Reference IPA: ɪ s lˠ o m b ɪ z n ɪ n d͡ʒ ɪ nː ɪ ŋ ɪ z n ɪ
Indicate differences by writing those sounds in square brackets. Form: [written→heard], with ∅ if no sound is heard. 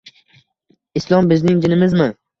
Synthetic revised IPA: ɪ s lˠ [o→ɒ] m b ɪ z n ɪ [n→ŋ] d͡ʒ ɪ [nː→n] ɪ [ŋ→m] ɪ z [n→m] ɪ

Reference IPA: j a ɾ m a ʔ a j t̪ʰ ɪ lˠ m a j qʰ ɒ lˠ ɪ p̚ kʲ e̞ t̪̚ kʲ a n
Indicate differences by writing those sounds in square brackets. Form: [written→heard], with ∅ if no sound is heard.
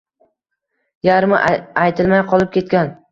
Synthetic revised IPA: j a ɾ m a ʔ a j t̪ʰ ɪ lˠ m a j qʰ ɒ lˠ ɪ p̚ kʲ e̞ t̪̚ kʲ a n

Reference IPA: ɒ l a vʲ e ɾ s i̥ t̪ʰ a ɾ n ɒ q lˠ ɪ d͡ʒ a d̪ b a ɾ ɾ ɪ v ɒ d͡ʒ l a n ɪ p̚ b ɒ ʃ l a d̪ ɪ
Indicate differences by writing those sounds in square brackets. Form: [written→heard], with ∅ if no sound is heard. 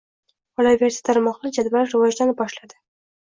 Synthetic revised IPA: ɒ l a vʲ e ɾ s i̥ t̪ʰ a ɾ [n→m] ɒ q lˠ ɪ d͡ʒ a d̪ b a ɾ ɾ ɪ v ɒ d͡ʒ l a n ɪ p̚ b ɒ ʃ l a d̪ ɪ

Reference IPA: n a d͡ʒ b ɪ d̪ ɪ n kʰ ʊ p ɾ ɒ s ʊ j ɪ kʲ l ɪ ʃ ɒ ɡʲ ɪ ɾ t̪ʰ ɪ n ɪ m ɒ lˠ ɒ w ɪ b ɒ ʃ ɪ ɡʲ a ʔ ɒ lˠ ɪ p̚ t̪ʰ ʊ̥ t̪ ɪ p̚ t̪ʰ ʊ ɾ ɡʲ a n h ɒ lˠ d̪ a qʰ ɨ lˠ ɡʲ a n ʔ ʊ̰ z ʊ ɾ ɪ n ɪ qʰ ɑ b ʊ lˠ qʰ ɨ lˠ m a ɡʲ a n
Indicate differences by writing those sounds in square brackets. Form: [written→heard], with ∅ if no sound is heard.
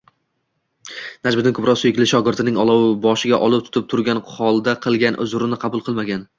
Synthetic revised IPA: n a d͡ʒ b ɪ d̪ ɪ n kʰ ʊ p ɾ ɒ s ʊ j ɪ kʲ l ɪ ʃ ɒ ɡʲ ɪ ɾ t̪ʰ ɪ n ɪ [m→ŋ] ɒ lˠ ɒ w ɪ b ɒ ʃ ɪ ɡʲ a ʔ ɒ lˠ ɪ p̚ t̪ʰ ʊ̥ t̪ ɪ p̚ t̪ʰ ʊ ɾ ɡʲ a n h ɒ lˠ d̪ a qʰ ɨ lˠ ɡʲ a n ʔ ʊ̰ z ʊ ɾ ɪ n ɪ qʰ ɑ b ʊ lˠ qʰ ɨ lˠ m a ɡʲ a n

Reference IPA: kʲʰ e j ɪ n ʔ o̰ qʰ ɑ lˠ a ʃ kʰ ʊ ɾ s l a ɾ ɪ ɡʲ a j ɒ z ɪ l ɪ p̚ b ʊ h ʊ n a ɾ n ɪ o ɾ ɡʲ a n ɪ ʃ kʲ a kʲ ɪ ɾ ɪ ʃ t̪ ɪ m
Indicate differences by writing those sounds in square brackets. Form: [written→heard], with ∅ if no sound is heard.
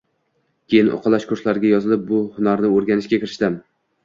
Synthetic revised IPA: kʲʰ e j ɪ n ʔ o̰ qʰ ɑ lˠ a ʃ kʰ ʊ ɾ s l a ɾ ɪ ɡʲ a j ɒ z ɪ l ɪ p̚ b ʊ h ʊ n a ɾ n ɪ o ɾ ɡʲ a n ɪ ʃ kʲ a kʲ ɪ ɾ ɪ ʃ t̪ ɪ m

